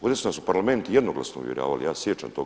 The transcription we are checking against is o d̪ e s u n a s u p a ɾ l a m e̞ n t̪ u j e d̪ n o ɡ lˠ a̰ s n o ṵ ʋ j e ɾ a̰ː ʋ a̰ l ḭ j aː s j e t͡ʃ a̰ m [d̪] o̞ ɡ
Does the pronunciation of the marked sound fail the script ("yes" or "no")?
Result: yes